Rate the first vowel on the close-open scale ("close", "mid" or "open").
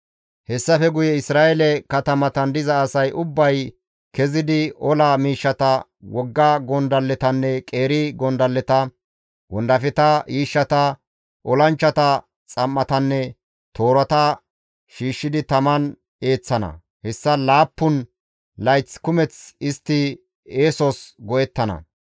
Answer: mid